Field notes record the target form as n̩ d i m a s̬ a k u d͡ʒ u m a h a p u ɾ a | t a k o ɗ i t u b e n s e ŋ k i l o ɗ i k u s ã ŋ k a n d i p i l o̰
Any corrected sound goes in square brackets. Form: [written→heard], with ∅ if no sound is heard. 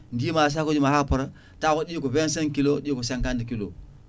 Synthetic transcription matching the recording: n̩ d i m a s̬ a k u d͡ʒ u m a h a p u ɾ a | t a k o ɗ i [t→k] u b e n s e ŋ k i l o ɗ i k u s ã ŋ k a n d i [p→k] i l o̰